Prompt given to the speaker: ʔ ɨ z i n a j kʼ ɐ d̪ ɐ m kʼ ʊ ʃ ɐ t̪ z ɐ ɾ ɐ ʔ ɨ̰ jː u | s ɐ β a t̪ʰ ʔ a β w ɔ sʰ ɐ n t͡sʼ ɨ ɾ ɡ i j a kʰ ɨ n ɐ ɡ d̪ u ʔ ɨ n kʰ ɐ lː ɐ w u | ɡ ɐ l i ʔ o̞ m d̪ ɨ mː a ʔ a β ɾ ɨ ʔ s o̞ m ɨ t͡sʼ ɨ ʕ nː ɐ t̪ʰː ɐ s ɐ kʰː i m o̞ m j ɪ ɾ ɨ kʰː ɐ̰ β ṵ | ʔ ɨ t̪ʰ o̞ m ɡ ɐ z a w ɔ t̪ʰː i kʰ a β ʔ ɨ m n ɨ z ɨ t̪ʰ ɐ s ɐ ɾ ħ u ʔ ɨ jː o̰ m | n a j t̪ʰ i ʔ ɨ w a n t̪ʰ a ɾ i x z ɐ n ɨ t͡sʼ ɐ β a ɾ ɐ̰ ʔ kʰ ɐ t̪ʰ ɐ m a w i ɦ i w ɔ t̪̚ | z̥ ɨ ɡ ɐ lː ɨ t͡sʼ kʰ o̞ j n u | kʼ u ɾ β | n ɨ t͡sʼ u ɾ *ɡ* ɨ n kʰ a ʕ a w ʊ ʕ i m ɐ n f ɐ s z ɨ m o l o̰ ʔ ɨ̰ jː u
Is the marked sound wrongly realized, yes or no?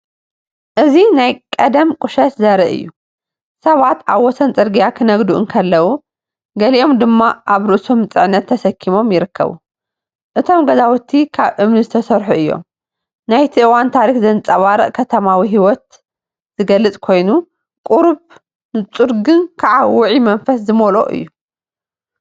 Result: no